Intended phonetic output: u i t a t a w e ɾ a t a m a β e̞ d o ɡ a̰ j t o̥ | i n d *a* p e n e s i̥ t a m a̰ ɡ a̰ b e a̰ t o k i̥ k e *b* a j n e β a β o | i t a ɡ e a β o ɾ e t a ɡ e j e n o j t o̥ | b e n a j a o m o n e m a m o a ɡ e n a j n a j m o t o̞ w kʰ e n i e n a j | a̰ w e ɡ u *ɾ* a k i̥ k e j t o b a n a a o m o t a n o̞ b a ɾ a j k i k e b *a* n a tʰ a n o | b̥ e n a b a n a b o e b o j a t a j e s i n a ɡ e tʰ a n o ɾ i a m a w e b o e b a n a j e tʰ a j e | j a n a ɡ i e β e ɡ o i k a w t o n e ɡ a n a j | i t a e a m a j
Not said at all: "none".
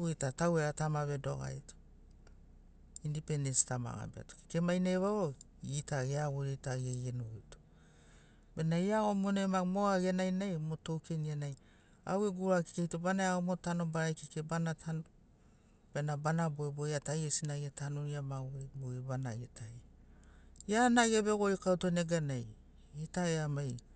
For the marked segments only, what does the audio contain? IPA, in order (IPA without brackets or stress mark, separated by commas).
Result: i, m, ɾ, a